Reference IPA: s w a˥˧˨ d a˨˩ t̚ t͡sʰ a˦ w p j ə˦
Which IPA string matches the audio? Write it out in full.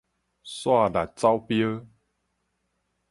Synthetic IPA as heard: s w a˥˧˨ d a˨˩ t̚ t͡s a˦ w p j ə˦